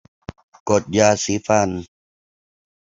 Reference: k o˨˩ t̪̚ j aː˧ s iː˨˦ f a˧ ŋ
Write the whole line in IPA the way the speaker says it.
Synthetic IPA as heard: k o˨˩ t̪̚ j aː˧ s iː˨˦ f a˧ n